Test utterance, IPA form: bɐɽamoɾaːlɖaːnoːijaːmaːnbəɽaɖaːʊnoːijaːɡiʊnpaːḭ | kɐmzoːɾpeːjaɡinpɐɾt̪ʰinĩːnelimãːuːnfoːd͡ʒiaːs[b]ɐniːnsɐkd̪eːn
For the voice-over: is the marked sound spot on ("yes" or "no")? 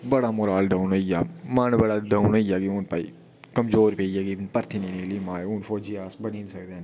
yes